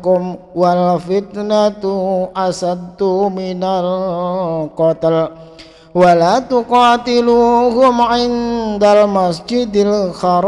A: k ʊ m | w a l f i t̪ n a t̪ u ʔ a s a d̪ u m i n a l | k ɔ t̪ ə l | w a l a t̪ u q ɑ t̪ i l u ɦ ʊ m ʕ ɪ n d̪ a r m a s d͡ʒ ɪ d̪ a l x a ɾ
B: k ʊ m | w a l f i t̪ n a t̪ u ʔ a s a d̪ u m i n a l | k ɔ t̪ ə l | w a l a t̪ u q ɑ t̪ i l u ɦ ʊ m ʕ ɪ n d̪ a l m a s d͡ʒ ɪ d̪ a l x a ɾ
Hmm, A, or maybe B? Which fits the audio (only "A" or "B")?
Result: B